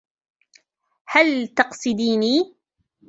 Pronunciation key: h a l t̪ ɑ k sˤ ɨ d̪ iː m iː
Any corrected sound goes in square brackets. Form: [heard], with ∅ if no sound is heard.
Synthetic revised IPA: h a l t̪ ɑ [q] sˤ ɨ d̪ iː [n] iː